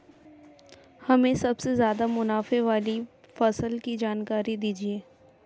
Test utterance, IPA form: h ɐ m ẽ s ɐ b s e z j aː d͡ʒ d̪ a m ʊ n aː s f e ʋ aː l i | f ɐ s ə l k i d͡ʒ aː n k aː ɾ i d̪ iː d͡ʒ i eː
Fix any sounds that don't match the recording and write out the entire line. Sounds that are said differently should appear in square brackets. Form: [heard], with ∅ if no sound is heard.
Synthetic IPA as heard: h ɐ m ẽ s ɐ b s e z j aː [∅] d̪ a m ʊ n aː [∅] f e ʋ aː l i | f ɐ s ə l k i d͡ʒ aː n k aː ɾ i d̪ iː d͡ʒ i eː